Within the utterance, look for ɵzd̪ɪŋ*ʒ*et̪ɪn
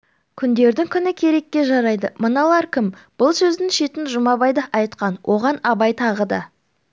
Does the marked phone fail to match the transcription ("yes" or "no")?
yes